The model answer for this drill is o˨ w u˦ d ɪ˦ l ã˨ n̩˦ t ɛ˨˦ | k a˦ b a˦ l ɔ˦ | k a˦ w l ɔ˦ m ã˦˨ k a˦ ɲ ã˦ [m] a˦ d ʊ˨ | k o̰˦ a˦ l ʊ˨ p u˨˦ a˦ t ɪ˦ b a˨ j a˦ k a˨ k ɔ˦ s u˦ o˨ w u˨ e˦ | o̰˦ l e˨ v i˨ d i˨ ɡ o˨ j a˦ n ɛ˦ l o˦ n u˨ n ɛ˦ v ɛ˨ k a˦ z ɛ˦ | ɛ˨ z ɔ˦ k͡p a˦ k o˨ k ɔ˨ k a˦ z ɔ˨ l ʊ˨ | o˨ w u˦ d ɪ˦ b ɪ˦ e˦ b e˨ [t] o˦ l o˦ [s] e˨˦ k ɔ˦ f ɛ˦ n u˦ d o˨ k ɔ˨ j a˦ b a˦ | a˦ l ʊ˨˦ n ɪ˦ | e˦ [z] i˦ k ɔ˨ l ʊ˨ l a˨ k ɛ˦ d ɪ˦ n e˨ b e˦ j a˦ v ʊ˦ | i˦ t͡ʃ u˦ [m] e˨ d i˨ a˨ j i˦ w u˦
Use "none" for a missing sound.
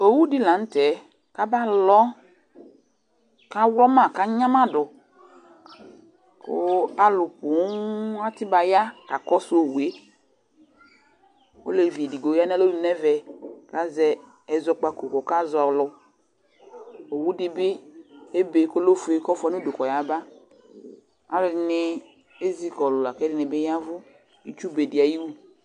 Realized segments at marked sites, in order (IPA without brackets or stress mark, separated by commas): m, k, f, z, b